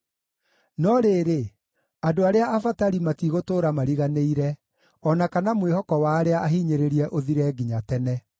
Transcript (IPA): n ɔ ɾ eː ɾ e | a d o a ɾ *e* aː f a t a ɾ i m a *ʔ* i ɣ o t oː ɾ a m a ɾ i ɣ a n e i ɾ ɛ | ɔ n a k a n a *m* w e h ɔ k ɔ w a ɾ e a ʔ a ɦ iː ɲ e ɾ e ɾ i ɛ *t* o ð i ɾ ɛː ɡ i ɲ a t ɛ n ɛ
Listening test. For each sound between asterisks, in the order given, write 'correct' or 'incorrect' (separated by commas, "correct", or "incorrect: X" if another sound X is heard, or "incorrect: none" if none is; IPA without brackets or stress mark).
correct, incorrect: t, correct, incorrect: ʔ